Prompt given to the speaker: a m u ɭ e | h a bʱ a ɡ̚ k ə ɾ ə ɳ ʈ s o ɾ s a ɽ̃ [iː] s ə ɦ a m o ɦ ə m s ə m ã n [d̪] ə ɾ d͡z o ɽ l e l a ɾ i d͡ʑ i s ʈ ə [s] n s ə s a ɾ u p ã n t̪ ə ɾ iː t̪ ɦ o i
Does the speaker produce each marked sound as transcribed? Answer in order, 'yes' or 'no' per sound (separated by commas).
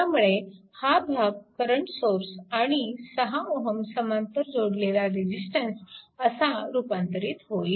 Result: no, no, no